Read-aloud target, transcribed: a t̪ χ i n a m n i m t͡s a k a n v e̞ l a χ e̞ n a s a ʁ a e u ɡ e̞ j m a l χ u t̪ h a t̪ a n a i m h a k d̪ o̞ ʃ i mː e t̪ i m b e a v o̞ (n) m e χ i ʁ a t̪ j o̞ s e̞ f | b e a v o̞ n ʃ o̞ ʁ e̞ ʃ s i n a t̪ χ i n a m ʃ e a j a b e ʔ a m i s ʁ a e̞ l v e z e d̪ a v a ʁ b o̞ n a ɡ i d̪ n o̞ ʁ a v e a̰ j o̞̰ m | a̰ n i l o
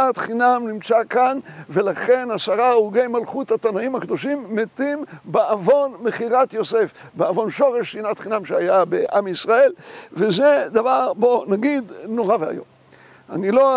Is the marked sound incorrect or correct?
correct